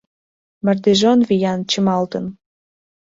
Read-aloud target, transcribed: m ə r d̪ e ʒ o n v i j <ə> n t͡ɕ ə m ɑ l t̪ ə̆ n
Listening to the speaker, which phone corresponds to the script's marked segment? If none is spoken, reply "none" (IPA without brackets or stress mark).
ɑ